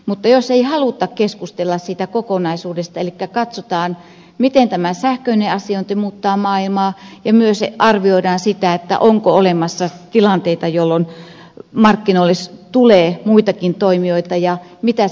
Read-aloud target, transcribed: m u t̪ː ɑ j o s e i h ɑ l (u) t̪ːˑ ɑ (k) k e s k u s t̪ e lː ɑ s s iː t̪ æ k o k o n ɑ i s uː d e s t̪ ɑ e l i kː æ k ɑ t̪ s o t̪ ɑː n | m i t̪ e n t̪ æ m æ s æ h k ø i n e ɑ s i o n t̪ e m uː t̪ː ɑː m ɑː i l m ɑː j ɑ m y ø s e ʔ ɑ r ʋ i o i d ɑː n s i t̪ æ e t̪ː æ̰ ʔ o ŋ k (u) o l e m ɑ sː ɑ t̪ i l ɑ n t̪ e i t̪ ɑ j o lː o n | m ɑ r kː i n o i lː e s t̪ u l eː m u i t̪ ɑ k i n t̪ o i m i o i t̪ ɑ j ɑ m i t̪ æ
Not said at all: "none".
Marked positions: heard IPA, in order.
u, k, o

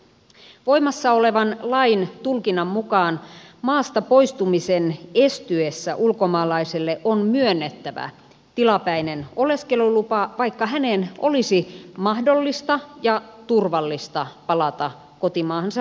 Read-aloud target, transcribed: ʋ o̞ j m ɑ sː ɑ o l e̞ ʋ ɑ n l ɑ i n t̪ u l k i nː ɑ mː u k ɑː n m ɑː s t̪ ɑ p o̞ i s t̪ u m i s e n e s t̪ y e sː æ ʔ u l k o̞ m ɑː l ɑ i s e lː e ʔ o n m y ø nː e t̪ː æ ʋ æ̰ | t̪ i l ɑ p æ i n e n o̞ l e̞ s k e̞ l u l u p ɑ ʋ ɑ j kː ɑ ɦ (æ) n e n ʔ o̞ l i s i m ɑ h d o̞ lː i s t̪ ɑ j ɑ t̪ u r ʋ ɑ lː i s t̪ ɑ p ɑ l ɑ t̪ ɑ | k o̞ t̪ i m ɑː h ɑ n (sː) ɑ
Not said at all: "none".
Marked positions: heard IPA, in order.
æ, s

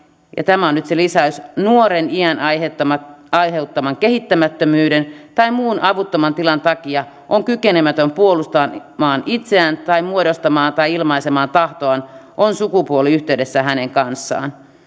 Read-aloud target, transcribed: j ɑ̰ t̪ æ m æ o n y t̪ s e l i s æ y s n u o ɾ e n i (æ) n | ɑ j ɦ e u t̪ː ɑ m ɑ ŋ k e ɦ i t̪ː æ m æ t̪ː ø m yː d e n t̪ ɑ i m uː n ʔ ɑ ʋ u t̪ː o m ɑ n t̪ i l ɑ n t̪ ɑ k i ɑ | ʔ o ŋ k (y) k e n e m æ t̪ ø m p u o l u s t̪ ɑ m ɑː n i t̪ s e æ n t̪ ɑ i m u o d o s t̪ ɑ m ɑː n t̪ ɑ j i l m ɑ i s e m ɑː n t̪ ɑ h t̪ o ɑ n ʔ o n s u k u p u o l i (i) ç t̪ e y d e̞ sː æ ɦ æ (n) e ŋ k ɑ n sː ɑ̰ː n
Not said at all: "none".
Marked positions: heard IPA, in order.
æ, y, y, n

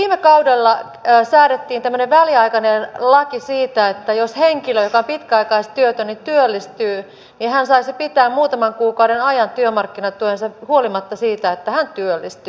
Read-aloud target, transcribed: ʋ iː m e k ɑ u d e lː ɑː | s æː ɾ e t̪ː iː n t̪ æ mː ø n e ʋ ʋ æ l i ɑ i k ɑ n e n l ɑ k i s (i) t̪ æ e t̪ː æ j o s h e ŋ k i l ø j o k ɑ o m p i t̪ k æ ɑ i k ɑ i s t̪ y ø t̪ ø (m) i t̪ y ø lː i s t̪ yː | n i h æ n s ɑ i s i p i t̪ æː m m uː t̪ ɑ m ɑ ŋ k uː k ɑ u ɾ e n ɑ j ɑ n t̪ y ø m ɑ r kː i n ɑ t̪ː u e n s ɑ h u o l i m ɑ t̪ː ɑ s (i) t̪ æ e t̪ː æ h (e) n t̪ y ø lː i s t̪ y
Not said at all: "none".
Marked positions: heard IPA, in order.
iː, n, iː, æ

